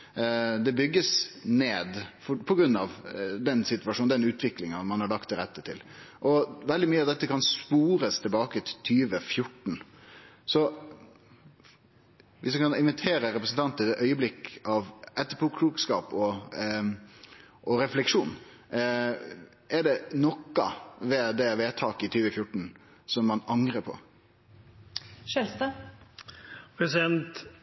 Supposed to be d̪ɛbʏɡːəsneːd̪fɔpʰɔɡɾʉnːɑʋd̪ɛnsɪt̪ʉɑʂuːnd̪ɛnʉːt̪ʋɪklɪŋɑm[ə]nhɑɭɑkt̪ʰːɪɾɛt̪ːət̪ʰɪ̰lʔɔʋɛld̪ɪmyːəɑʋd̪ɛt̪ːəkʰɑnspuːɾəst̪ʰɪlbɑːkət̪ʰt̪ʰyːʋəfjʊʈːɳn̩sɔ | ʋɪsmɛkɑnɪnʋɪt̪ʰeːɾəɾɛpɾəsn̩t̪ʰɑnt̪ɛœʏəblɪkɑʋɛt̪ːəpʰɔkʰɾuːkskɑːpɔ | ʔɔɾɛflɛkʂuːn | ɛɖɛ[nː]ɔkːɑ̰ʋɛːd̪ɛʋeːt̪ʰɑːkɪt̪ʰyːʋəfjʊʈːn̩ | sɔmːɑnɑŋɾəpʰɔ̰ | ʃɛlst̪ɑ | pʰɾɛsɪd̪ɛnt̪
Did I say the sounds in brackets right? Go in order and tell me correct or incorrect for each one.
incorrect: ɑ, incorrect: n

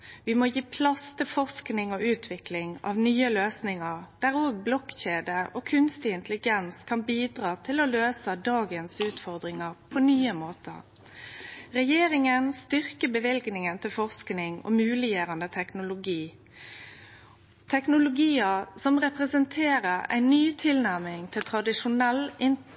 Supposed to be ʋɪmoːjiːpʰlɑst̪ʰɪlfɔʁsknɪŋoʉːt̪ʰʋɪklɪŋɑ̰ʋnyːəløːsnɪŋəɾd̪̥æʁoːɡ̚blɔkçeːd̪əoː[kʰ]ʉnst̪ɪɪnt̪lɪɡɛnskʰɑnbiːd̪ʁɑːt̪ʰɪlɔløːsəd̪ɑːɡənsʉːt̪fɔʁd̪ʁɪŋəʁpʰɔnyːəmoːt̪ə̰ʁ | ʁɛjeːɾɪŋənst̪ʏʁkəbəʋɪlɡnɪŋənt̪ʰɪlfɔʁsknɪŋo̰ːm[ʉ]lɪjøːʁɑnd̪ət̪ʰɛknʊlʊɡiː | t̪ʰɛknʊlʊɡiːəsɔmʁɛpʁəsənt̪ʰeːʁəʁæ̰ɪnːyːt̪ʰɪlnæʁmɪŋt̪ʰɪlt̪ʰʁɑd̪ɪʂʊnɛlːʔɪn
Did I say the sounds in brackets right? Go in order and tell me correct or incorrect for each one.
correct, incorrect: ʉː

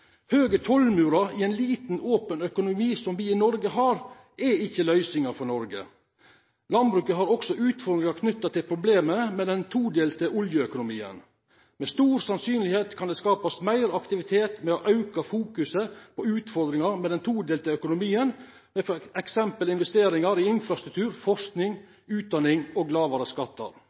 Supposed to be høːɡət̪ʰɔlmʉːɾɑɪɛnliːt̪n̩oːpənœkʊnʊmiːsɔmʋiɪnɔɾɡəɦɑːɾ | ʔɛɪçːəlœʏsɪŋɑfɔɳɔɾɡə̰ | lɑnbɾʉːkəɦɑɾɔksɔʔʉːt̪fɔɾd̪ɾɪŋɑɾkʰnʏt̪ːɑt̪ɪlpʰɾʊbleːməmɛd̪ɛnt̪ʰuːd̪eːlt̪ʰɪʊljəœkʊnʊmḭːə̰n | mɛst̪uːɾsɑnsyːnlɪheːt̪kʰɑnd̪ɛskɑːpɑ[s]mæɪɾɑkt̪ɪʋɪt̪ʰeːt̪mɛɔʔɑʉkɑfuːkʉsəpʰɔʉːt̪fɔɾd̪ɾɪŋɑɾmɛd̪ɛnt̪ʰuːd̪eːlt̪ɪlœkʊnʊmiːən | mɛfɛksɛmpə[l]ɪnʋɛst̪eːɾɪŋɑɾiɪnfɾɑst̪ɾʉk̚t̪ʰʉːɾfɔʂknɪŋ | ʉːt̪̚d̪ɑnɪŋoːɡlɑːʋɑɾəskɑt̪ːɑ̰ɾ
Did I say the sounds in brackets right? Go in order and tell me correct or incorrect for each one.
correct, correct

